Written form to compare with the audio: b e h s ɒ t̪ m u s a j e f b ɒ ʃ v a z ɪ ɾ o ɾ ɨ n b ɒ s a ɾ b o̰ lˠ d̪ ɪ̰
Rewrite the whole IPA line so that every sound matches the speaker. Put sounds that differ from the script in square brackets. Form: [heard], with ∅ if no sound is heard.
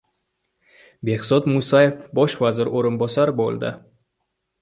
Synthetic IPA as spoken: b e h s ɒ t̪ m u s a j e f b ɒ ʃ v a z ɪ ɾ o ɾ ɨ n b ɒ s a ɾ b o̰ lˠ d̪ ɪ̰

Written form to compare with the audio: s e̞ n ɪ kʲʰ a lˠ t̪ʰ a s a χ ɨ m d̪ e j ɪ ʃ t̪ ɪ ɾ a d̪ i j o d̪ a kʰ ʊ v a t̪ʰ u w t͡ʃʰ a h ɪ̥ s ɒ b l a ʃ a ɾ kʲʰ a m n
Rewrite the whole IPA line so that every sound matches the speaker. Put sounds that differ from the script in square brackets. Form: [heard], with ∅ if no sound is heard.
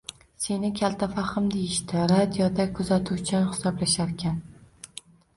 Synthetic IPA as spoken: s e̞ n ɪ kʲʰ a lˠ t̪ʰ a [f] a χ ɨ m d̪ e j ɪ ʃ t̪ ɪ ɾ a d̪ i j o d̪ a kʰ ʊ [z] a t̪ʰ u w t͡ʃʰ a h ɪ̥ s ɒ b l a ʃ a ɾ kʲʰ a [∅] n

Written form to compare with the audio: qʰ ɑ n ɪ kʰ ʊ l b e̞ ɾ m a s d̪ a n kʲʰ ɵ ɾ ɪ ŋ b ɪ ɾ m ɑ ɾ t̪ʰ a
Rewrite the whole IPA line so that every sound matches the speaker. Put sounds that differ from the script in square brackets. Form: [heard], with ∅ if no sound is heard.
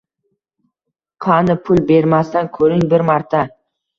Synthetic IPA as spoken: qʰ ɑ n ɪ [pʰ] ʊ l b e̞ ɾ m a s [t̪] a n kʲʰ ɵ ɾ ɪ ŋ b ɪ ɾ m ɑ ɾ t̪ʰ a

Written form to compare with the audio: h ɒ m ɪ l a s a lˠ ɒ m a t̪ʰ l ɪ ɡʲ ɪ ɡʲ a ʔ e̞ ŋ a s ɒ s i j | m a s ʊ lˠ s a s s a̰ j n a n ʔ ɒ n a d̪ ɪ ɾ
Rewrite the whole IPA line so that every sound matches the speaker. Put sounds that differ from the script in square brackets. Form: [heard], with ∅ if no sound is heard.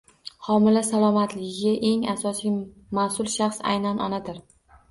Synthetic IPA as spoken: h ɒ m ɪ l a s a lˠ ɒ m a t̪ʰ l ɪ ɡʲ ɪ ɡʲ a ʔ e̞ ŋ a s ɒ s i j | m a s ʊ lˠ [ʃ] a [χ] s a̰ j n a n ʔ ɒ n a d̪ ɪ ɾ

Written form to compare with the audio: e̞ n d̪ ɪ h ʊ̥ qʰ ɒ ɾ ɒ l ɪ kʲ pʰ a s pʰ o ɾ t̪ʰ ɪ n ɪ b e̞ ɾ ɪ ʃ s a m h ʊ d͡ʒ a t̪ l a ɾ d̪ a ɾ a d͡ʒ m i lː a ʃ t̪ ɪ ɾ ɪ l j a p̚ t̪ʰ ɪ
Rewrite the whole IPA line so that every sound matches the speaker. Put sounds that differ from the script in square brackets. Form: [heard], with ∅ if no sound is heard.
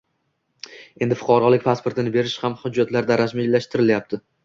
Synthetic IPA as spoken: e̞ n d̪ ɪ [f] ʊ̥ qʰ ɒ ɾ ɒ l ɪ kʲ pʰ a s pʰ o ɾ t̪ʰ ɪ n ɪ b e̞ ɾ ɪ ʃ [h] a m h ʊ [d͡ʒː] a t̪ l a ɾ d̪ a ɾ a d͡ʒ m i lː a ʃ t̪ ɪ ɾ ɪ l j a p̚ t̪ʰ ɪ

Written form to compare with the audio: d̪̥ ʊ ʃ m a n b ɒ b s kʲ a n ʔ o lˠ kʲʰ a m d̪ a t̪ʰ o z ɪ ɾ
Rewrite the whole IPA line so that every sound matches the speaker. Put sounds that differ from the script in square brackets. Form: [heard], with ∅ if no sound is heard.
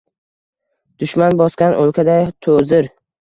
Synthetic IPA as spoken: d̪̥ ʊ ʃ m a n b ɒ [∅] s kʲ a n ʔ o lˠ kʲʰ a [∅] d̪ a t̪ʰ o z ɪ ɾ

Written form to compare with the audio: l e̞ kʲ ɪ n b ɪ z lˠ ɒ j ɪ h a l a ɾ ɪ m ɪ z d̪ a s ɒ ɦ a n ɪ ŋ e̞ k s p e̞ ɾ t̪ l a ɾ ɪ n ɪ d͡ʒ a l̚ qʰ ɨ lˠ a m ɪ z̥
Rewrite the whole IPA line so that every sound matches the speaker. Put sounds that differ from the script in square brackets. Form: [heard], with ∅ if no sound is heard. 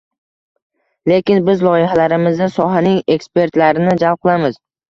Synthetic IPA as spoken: l e̞ kʲ ɪ n b ɪ z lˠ ɒ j ɪ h a l a ɾ ɪ m ɪ z d̪ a s ɒ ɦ a n ɪ ŋ e̞ k s p e̞ ɾ t̪ l a ɾ ɪ n ɪ d͡ʒ a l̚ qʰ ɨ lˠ a m ɪ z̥

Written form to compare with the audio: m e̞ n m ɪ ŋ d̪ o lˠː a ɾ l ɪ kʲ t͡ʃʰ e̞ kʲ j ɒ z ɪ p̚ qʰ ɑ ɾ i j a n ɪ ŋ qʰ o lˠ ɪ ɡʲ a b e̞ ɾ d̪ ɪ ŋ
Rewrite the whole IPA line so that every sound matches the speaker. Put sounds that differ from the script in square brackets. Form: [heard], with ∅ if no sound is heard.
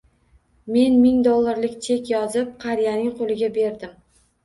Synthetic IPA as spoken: m e̞ n m ɪ ŋ d̪ o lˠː a ɾ l ɪ kʲ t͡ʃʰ e̞ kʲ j ɒ z ɪ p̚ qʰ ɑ ɾ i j a n ɪ ŋ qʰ o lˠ ɪ ɡʲ a b e̞ ɾ d̪ ɪ [m]

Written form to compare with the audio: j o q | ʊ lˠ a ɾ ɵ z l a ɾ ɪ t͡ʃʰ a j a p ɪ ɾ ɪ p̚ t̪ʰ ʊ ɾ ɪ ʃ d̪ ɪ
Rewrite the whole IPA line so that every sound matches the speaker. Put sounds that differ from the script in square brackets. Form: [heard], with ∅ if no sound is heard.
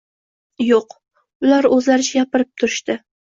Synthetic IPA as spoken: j o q | ʊ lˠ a ɾ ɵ z l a ɾ ɪ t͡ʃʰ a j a p ɪ ɾ ɪ p̚ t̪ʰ ʊ ɾ ɪ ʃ [t̪] ɪ

